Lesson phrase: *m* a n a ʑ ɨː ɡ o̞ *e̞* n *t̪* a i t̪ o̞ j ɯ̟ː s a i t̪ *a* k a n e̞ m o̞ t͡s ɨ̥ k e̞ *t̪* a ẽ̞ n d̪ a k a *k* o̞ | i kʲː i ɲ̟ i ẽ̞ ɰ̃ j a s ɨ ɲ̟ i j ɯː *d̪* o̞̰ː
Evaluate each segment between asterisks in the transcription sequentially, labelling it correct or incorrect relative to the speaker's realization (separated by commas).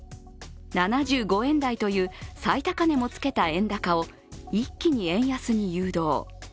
incorrect, incorrect, incorrect, correct, correct, incorrect, correct